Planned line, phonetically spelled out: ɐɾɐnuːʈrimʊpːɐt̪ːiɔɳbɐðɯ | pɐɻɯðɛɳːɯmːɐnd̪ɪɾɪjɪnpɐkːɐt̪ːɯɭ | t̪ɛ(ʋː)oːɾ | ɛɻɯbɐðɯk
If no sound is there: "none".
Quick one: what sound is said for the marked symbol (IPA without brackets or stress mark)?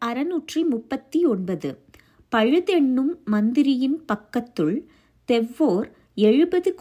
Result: ʋː